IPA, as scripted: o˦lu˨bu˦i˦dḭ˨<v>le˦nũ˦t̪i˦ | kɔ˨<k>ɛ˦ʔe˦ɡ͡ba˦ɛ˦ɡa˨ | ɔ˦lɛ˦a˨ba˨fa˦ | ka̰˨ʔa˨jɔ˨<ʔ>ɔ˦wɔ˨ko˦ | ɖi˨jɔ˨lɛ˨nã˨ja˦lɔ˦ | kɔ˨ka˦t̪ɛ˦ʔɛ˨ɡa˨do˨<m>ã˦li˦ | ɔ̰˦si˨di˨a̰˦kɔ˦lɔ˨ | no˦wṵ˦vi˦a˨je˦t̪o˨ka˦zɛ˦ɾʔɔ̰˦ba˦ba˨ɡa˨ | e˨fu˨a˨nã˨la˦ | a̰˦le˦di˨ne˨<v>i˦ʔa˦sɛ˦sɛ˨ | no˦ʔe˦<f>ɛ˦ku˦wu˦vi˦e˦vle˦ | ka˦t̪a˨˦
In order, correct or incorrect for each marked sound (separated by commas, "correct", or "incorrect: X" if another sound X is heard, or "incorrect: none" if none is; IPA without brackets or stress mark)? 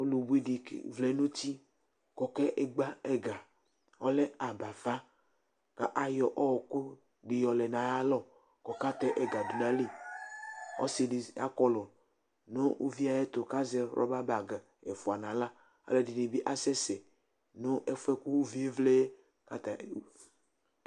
correct, correct, correct, incorrect: n, incorrect: b, correct